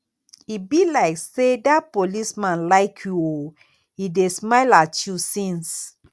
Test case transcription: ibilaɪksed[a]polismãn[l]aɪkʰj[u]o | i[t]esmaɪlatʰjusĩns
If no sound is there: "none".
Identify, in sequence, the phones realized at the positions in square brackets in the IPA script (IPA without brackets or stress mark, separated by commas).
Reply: a, l, u, d